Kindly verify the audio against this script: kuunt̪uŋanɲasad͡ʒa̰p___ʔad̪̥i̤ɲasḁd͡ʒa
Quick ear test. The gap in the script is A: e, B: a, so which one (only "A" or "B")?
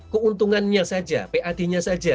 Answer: A